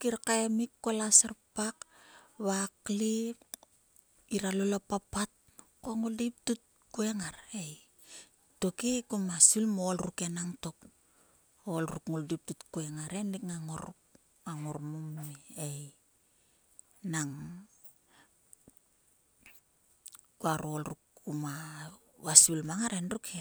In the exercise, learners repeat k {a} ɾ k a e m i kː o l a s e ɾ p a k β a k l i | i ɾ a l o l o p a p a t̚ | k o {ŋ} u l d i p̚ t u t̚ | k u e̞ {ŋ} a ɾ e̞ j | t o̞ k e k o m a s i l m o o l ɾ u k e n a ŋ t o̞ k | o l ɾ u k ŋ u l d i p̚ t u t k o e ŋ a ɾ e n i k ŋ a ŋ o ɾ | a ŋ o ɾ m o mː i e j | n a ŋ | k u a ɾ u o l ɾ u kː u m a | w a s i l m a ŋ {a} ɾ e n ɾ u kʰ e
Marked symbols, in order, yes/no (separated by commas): no, yes, yes, yes